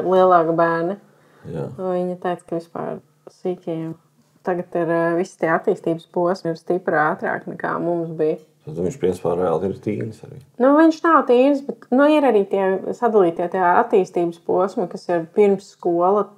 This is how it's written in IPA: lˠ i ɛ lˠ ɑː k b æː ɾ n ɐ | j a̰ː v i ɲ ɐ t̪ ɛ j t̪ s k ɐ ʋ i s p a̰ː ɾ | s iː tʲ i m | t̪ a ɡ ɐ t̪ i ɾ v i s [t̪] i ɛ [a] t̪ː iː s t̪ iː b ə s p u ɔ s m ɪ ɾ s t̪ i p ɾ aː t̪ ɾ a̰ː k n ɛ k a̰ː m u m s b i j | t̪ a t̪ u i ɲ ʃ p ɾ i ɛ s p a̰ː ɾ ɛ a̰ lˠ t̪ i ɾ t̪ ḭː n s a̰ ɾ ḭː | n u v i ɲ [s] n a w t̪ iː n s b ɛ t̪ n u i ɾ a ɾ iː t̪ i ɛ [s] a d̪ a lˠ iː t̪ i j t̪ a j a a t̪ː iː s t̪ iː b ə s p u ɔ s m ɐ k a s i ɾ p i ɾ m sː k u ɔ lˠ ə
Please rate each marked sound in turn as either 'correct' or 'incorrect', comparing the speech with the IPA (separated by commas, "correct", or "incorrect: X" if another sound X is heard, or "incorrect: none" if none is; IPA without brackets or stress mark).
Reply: correct, correct, incorrect: ʃ, correct